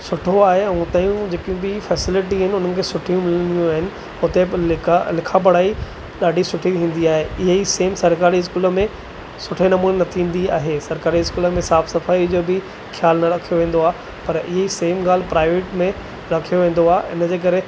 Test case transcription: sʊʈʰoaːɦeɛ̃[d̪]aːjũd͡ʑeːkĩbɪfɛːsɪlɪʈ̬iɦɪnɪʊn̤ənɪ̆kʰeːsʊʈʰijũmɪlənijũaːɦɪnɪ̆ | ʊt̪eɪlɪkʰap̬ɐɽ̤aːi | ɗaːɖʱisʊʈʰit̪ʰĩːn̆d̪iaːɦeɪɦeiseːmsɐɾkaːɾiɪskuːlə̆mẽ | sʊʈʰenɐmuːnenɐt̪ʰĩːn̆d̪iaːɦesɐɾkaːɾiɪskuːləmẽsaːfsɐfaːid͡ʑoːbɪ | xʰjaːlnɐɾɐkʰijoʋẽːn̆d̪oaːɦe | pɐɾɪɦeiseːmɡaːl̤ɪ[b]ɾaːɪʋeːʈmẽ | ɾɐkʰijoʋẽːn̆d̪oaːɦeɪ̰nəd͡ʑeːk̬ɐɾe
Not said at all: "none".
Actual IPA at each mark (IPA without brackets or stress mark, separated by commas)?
t̪, p